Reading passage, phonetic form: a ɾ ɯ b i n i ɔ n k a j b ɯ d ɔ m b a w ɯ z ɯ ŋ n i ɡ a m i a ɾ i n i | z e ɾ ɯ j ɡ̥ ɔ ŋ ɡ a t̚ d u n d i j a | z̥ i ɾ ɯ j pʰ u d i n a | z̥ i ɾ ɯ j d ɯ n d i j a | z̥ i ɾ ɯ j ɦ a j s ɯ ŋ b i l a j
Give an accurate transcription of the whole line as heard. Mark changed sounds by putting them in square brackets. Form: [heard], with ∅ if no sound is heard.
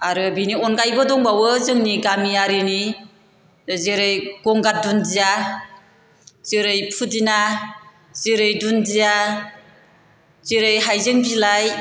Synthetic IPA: a ɾ ɯ b i n i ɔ n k a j b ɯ d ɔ [ŋ] b a w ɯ z ɯ ŋ n i ɡ a m i a ɾ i n i | z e ɾ ɯ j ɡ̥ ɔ ŋ ɡ a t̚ d u n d i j a | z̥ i ɾ ɯ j pʰ u d i n a | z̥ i ɾ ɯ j d [u] n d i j a | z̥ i ɾ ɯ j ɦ a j [z] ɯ ŋ b i l a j